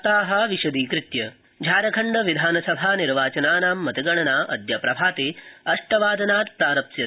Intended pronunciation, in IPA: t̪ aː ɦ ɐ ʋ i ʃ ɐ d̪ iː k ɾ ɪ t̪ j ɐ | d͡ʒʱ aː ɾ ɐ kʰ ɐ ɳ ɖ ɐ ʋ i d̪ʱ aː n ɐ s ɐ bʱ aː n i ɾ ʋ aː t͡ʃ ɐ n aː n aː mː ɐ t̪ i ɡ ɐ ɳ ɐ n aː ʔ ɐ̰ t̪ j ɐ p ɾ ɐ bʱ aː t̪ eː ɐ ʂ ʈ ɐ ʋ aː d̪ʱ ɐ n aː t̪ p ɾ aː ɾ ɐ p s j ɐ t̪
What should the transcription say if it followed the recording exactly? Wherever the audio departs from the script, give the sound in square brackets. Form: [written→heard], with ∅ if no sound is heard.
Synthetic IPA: t̪ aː ɦ ɐ ʋ i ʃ ɐ d̪ iː k ɾ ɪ t̪ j ɐ | d͡ʒʱ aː ɾ ɐ kʰ ɐ ɳ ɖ ɐ ʋ i d̪ʱ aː n ɐ s ɐ bʱ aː n i ɾ ʋ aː t͡ʃ ɐ n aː n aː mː ɐ t̪ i ɡ ɐ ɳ ɐ n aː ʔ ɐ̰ [t̪→d̪] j ɐ p ɾ ɐ bʱ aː t̪ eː ɐ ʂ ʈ ɐ ʋ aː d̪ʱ ɐ n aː t̪ p ɾ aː ɾ ɐ p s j ɐ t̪